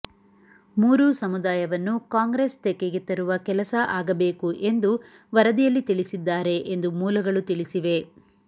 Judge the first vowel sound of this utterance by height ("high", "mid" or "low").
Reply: high